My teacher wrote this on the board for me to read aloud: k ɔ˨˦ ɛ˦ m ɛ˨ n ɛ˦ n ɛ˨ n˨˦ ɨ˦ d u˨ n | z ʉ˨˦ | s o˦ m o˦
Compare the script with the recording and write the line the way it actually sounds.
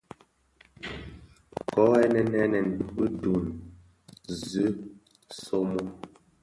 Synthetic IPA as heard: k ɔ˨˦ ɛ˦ n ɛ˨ n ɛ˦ n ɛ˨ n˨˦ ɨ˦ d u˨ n | z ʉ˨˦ | s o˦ m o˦